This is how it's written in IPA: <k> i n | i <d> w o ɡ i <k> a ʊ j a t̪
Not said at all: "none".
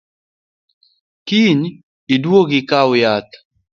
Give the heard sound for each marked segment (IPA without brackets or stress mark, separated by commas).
k, d, k